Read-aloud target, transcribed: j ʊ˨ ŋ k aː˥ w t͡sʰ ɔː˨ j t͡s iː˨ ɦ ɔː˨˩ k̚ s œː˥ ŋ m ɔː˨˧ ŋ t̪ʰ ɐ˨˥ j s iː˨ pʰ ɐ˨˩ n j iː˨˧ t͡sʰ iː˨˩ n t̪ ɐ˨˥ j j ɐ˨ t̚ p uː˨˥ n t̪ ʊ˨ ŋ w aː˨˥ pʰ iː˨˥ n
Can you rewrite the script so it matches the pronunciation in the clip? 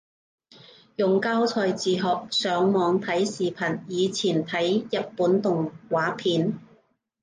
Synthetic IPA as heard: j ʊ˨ ŋ k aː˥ w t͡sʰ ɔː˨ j t͡s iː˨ ɦ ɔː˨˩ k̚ s œː˨˥ ŋ m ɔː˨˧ ŋ t̪ʰ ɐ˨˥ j s iː˨ pʰ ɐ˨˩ n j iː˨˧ t͡sʰ iː˨˩ n t̪ʰ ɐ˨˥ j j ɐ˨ t̚ p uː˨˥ n t̪ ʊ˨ ŋ w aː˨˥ pʰ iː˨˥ n